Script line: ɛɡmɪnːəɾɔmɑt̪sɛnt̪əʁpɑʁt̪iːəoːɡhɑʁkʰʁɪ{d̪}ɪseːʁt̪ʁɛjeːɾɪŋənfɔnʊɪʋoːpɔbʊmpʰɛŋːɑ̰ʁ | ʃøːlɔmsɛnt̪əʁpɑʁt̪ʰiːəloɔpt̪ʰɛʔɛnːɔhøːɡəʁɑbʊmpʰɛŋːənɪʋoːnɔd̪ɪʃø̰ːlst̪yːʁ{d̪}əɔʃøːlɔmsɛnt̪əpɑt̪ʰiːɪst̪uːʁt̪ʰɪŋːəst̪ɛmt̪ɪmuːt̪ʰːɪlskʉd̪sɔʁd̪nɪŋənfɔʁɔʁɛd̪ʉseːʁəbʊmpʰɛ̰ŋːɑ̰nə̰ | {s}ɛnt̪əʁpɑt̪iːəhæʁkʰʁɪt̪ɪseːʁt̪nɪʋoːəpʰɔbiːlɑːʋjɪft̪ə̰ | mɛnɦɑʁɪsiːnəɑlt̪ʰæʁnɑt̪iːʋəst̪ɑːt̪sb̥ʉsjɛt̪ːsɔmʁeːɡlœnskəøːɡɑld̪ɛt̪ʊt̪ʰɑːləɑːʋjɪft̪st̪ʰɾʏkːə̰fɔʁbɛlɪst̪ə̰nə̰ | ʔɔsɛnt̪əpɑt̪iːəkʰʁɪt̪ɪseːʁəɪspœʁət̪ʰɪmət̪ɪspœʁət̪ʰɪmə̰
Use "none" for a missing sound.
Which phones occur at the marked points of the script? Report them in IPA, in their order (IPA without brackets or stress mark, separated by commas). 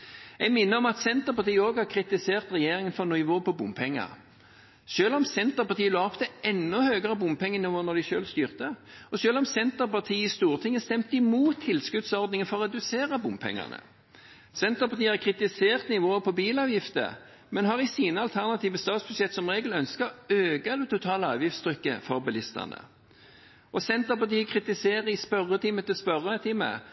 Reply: t̪, t̪, s